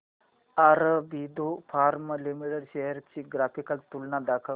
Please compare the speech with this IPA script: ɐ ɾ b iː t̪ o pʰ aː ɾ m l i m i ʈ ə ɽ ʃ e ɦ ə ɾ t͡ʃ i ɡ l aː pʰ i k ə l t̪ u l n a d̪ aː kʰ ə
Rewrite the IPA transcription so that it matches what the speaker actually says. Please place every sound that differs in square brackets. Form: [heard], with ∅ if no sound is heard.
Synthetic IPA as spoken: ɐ ɾ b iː [d̪] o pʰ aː ɾ m l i m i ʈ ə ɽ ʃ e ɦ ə ɾ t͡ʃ i ɡ [ɾ] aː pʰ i k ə l t̪ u l n a d̪ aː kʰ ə